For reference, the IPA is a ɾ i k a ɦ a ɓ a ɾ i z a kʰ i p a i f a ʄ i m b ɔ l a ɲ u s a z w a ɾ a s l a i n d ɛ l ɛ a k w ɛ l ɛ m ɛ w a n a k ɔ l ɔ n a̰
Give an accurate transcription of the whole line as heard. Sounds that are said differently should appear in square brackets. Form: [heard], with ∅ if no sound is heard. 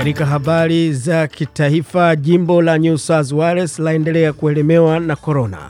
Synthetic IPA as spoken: a ɾ i k a ɦ a ɓ a ɾ i z a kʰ i [t] a i f a ʄ i m b ɔ l a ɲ u s a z w a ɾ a s l a [ɛ] n d ɛ l ɛ a k [u] ɛ l ɛ m ɛ w a n a k ɔ [ɾ] ɔ n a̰